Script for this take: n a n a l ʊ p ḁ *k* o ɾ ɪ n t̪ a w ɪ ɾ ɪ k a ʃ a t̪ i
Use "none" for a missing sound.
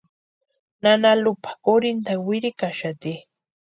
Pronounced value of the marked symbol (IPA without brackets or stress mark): k